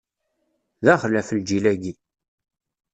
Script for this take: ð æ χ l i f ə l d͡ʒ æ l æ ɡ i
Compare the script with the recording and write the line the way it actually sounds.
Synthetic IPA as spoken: ð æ χ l æ f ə l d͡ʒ i l æ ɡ i